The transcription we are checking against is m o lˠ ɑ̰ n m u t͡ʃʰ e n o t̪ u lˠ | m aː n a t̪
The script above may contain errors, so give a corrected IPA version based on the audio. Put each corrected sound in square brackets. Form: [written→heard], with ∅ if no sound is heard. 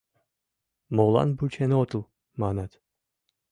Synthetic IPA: m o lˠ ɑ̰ n [m→b] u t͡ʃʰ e n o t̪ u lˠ | m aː n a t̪